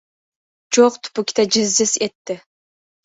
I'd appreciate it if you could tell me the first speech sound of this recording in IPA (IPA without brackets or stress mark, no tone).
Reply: d͡ʒ